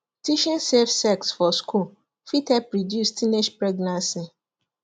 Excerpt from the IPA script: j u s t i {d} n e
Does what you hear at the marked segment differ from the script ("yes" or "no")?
yes